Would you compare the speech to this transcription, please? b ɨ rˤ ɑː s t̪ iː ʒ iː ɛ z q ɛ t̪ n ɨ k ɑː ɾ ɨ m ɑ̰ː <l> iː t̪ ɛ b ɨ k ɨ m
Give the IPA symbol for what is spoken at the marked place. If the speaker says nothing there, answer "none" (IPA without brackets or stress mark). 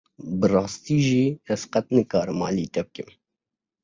l